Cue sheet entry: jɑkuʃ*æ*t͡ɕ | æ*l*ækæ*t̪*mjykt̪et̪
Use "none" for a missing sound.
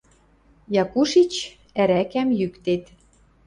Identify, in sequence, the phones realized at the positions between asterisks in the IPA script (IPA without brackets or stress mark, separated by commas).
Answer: i, ɾ, none